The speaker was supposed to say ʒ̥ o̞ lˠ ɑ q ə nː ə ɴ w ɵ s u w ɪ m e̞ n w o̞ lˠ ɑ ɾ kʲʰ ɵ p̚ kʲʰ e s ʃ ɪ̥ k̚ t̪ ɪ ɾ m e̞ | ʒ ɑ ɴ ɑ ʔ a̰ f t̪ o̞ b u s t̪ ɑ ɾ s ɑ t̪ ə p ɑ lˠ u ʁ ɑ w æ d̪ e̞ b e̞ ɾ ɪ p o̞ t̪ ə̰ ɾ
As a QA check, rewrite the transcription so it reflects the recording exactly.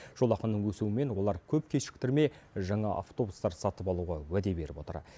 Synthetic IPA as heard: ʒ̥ o̞ lˠ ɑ q ə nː ə ɴ w ɵ s u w ɪ m e̞ n w o̞ lˠ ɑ ɾ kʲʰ ɵ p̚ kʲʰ e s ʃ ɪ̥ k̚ t̪ ɪ ɾ m e̞ | ʒ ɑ ɴ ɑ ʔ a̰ f t̪ o̞ b u s t̪ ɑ ɾ s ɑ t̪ ə p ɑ lˠ u ʁ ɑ w æ d̪ e̞ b e̞ ɾ ɪ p o̞ t̪ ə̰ ɾ